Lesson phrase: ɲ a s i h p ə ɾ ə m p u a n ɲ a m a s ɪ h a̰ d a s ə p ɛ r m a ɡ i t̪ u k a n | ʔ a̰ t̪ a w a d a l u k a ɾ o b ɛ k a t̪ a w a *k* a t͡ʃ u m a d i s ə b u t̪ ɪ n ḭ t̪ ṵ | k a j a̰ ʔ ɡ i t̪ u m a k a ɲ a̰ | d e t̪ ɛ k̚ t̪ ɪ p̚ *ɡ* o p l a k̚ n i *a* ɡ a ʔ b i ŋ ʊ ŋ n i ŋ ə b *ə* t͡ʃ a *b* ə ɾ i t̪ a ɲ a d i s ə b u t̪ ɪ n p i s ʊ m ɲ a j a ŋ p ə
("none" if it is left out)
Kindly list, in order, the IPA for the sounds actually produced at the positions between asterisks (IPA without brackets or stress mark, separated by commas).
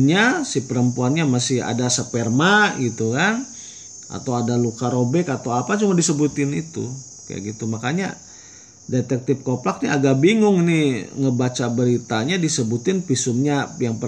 p, k, a, a, b